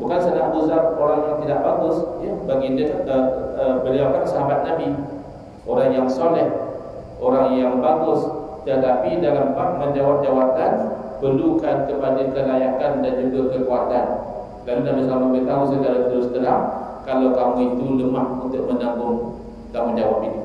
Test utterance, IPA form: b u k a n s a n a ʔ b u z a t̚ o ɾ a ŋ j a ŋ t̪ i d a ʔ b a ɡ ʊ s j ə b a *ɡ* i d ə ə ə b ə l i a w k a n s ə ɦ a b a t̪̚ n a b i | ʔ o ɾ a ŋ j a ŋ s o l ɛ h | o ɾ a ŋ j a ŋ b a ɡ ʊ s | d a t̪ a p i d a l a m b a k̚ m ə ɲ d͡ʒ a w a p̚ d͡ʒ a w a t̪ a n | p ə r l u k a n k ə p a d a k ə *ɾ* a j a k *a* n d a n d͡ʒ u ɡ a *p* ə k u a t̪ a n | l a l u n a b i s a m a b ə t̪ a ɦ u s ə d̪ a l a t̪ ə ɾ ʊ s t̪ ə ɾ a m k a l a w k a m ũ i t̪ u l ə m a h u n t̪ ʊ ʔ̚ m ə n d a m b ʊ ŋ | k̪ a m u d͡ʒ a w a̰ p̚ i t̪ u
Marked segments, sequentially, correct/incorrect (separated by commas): correct, incorrect, correct, incorrect